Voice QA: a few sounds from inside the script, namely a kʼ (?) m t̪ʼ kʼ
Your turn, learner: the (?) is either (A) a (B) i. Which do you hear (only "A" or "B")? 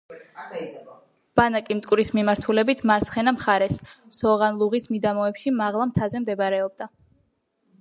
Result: B